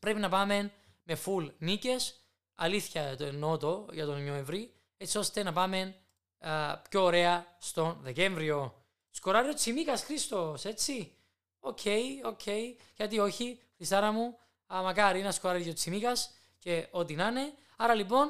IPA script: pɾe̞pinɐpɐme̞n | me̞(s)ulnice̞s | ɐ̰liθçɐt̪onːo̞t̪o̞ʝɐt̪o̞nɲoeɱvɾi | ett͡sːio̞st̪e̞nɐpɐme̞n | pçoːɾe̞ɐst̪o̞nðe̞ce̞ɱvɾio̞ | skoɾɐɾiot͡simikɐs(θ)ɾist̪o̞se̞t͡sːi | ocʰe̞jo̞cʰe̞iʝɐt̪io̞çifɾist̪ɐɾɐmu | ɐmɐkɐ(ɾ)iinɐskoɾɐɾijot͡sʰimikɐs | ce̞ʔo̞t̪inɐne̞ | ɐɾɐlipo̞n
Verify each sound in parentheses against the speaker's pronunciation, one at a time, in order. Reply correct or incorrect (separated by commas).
incorrect, incorrect, correct